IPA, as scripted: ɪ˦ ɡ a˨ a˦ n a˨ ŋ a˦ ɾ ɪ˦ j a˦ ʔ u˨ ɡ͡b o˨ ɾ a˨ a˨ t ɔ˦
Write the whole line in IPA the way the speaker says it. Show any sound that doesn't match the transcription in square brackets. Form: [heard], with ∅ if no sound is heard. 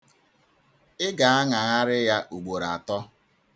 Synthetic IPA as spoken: ɪ˦ ɡ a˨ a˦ [ŋ] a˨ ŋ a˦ ɾ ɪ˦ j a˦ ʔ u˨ ɡ͡b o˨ ɾ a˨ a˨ t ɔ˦